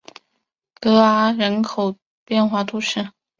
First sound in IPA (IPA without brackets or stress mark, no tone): k